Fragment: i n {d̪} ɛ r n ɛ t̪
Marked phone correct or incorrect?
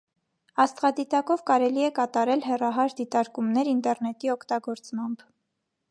incorrect